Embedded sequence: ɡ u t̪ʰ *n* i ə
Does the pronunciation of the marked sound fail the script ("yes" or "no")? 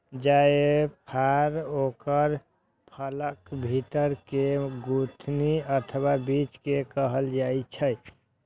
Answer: no